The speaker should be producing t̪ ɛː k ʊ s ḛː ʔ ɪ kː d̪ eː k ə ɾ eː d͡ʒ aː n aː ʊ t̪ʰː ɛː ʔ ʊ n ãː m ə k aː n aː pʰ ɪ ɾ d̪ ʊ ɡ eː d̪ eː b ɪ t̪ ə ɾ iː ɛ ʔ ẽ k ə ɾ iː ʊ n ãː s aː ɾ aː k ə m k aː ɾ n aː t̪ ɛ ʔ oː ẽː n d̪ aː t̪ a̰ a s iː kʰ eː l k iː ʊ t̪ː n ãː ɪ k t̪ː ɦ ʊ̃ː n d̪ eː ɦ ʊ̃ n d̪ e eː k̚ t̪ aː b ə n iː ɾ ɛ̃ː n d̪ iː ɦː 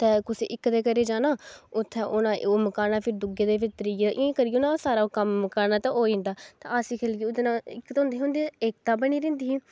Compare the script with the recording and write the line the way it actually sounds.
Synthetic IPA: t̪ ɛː k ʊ s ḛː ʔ ɪ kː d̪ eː k ə ɾ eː d͡ʒ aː n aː ʊ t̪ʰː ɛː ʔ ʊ n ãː m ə k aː n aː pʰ ɪ ɾ d̪ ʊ ɡ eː d̪ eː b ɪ t̪ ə ɾ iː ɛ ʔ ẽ k ə ɾ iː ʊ n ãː s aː ɾ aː k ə m k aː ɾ n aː t̪ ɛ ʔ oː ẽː n d̪ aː t̪ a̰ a s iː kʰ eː l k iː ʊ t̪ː n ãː ɪ k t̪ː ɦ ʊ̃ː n d̪ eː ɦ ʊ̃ n d̪ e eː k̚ t̪ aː b ə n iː ɾ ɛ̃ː n d̪ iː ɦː